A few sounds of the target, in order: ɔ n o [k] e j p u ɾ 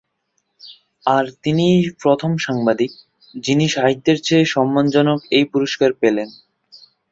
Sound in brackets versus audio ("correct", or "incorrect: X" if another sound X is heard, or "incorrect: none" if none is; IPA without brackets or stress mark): correct